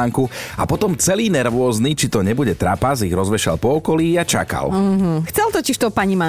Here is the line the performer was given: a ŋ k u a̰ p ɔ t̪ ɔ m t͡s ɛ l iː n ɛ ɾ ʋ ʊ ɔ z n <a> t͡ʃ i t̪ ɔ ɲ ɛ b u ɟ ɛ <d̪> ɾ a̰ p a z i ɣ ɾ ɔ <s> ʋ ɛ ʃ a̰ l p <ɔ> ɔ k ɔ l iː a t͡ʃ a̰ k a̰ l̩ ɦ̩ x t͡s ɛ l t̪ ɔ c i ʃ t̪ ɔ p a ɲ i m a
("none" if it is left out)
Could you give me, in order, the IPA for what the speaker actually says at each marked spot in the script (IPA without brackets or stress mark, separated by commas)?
i, t̪, z, ɔ